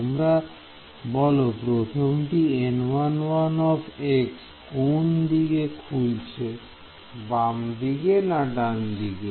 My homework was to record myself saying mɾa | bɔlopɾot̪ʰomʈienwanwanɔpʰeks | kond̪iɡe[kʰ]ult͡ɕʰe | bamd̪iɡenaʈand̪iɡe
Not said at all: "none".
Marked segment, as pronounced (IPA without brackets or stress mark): kʰ